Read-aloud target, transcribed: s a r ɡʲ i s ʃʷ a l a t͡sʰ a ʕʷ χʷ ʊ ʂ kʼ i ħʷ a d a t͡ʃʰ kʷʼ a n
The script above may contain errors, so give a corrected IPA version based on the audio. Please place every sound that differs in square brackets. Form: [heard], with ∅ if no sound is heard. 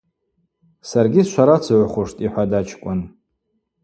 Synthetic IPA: s a r ɡʲ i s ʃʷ a [ɾ] a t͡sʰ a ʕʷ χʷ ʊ ʂ [tʼ] i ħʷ a d a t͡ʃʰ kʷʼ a n